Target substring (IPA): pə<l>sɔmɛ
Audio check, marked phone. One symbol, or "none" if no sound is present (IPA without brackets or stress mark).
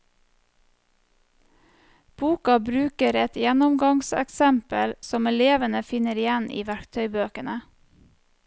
l